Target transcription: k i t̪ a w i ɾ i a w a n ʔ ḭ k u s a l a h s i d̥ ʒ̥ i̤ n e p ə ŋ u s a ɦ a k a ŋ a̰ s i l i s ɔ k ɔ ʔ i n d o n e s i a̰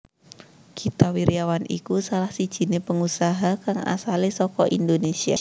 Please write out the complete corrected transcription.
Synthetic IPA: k i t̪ a w i ɾ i a w a n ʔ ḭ k u s a l a h s i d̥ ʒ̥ i̤ n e p ə ŋ u s a ɦ a k a ŋ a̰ s a l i s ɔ k ɔ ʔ i n d o n e s i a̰